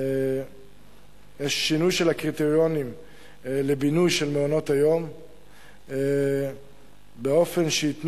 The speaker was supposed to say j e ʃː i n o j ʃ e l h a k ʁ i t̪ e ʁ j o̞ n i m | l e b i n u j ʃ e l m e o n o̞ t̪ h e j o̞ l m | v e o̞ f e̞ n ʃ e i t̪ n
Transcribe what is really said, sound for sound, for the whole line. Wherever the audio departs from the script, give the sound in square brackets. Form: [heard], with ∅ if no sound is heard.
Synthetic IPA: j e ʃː i n [u] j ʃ e l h a k ʁ i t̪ e ʁ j o̞ n i m | l e b i n u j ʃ e l m e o n o̞ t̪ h [a] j o̞ [∅] m | [b] e o̞ f e̞ n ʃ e i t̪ n